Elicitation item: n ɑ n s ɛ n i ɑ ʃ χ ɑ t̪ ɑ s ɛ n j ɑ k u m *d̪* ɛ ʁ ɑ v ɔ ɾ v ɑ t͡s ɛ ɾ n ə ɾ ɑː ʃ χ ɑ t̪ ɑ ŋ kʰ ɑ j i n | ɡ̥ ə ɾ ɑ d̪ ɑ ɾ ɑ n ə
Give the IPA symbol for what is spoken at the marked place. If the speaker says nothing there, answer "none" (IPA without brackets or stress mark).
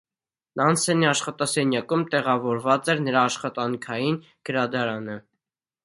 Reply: t̪